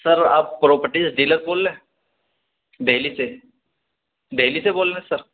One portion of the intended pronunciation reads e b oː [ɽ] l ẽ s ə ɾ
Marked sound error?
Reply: yes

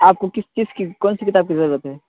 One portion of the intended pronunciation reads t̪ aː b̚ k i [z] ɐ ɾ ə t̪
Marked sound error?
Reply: no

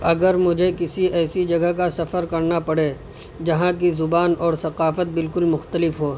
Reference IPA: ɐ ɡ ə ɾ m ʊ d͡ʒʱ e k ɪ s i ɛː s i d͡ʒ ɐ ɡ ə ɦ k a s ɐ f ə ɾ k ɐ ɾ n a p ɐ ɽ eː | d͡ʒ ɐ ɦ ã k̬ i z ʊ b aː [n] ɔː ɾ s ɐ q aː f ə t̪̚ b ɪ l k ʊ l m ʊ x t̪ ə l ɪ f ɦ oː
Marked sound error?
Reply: no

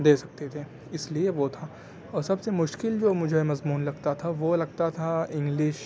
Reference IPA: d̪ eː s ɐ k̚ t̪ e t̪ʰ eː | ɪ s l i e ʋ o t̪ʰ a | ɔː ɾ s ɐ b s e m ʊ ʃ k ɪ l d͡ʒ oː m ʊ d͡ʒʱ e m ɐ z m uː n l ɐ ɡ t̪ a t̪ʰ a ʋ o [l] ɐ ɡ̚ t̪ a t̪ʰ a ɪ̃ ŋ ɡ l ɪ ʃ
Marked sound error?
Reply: no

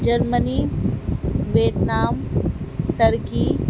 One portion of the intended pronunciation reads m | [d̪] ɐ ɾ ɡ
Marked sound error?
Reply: yes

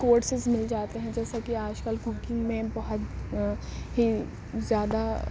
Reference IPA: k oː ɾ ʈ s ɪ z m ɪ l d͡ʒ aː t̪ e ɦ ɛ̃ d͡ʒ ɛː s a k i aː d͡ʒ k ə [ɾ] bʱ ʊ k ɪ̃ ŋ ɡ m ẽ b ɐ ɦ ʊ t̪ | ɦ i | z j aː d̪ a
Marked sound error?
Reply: yes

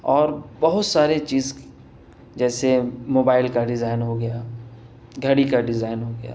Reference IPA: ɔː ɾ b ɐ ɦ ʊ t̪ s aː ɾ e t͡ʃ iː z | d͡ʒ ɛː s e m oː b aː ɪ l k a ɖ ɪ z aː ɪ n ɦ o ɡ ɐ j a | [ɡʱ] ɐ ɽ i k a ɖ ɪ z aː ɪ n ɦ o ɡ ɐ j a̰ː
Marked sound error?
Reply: no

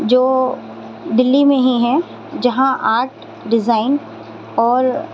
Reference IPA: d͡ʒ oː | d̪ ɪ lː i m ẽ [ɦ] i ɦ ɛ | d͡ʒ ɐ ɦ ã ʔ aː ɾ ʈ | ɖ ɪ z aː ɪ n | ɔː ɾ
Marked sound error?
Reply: no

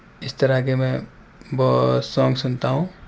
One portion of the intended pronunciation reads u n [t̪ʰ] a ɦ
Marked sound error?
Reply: yes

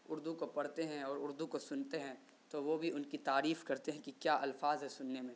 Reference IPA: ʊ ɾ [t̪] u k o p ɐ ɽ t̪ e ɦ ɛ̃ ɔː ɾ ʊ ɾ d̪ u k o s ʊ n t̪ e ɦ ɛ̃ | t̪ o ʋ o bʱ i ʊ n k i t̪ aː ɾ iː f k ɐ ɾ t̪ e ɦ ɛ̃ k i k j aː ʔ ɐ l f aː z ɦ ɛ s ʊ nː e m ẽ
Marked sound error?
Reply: yes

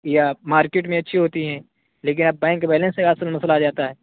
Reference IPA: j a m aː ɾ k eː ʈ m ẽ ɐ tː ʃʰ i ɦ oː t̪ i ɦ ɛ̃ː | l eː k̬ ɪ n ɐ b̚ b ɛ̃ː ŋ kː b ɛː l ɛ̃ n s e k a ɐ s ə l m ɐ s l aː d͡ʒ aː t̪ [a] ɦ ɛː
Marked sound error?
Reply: no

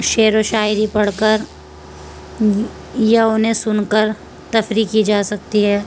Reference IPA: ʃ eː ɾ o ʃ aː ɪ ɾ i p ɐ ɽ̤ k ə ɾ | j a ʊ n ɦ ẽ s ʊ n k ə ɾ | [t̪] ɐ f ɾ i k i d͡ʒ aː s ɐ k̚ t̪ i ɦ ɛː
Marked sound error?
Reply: no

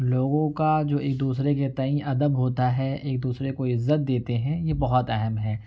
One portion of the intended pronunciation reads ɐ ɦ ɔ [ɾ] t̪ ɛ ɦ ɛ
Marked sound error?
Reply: yes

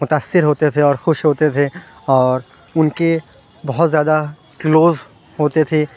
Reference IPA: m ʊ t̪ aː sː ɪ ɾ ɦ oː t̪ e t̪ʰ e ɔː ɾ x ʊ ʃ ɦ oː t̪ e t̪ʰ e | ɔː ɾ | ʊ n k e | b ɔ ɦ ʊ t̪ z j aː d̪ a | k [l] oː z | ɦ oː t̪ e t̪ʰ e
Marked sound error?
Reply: no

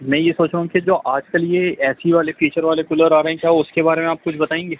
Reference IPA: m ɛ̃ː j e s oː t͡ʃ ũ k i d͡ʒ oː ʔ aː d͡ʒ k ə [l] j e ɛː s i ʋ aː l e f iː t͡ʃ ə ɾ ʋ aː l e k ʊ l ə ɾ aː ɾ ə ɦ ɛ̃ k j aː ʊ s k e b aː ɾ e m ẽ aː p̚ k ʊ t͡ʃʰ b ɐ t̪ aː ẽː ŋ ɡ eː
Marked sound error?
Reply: no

